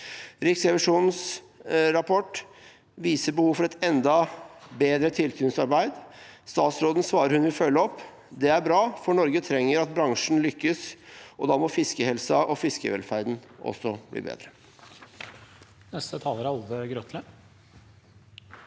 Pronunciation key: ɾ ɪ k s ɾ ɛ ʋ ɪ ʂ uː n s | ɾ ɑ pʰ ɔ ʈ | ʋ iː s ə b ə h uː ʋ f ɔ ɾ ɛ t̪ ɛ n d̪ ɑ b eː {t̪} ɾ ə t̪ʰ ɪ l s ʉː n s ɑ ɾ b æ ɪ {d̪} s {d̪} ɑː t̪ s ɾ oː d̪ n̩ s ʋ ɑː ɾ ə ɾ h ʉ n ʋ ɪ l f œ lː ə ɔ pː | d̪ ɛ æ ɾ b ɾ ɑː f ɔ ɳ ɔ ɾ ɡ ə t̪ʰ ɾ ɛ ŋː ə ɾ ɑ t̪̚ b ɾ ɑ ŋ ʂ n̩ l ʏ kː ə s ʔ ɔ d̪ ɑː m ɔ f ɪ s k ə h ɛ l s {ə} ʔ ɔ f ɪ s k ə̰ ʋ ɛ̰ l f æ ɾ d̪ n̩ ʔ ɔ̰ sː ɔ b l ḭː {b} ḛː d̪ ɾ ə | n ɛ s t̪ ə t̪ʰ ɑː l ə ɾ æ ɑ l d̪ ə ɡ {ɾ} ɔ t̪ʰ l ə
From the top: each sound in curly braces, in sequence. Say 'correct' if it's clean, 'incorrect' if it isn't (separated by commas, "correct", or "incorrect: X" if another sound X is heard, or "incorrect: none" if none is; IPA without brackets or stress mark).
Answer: incorrect: d̪, correct, incorrect: t̪, incorrect: ɑ, correct, correct